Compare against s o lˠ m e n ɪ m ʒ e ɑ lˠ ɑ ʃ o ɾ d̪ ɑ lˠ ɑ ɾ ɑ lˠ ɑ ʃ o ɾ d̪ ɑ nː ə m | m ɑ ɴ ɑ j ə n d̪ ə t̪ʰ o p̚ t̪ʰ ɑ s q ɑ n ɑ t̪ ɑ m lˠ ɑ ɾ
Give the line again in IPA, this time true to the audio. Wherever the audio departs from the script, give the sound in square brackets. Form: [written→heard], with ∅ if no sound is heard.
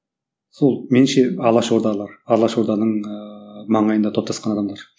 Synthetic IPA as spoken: s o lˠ m e n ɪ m [ʒ→ʃ] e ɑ lˠ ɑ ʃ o ɾ d̪ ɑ lˠ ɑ ɾ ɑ lˠ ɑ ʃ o ɾ d̪ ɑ [nː→n] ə [m→ɴ] | m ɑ ɴ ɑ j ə n d̪ [ə→ɑ] t̪ʰ o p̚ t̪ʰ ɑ s q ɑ n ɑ [t̪→d̪] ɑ m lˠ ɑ ɾ